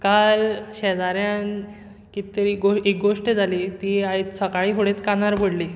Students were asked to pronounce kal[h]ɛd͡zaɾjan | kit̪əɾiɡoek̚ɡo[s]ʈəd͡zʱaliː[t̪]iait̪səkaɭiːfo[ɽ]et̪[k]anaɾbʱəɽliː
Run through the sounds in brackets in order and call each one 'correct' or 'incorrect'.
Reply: incorrect: ɕ, incorrect: ʂ, correct, correct, correct

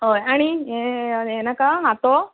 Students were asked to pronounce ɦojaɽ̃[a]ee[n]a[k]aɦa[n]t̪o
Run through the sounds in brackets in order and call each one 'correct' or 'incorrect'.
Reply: incorrect: i, correct, correct, incorrect: none

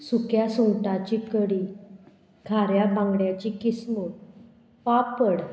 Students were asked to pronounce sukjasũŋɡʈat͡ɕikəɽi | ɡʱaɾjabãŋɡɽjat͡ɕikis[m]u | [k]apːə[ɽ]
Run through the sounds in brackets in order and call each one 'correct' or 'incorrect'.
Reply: correct, incorrect: p, correct

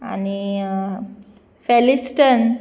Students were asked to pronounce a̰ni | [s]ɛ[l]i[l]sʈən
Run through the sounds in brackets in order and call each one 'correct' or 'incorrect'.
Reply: incorrect: f, correct, incorrect: none

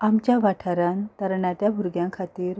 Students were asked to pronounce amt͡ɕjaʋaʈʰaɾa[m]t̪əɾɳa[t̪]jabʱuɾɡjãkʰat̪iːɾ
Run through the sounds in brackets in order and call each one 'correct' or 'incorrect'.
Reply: incorrect: n, correct

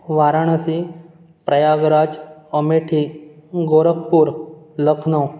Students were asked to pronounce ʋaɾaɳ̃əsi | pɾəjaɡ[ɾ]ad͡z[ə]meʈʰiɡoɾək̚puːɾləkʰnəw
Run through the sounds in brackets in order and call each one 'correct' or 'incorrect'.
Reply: correct, correct

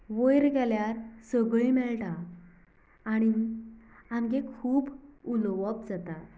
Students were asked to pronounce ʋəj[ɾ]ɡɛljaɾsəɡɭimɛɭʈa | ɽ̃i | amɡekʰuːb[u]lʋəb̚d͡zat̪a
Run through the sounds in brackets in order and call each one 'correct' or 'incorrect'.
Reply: correct, correct

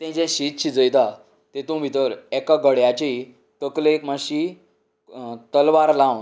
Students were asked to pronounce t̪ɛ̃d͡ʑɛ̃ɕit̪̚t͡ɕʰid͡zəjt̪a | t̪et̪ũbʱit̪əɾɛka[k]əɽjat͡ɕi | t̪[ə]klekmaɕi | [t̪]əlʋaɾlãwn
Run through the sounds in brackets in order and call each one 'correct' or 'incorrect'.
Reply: incorrect: ɡ, correct, correct

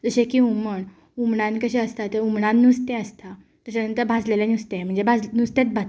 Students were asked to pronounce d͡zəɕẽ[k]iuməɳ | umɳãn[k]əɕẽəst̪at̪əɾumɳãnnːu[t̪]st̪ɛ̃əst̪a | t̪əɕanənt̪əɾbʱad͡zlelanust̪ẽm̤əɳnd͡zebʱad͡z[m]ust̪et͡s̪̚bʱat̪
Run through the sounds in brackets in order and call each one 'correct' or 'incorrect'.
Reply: correct, correct, incorrect: none, incorrect: n

